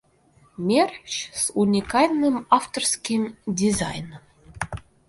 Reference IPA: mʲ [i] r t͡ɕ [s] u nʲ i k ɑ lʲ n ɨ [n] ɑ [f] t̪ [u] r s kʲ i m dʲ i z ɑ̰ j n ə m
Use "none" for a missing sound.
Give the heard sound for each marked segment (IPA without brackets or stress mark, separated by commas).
e, s, m, f, o